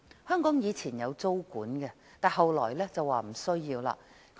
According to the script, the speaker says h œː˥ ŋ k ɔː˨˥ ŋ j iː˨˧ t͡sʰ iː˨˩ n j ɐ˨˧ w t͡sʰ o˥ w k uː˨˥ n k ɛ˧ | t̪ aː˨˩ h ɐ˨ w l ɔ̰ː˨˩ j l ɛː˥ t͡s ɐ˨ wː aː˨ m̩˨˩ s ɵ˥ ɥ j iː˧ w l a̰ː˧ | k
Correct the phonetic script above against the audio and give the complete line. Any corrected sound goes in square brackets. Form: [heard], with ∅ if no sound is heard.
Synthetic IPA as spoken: h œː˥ ŋ k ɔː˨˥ ŋ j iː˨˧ t͡sʰ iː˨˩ n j ɐ˨˧ w [t͡s] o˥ w k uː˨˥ n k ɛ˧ | t̪ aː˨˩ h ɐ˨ w l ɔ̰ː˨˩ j l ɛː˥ t͡s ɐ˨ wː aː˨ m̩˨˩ s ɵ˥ ɥ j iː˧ w l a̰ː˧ | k